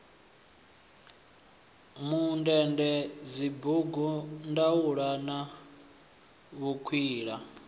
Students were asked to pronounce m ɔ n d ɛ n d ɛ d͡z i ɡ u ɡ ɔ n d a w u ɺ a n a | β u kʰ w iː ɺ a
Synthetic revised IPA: m u n d ɛ n d ɛ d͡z i b u ɡ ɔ n d a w u ɺ a n a | β u kʰ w iː ɺ a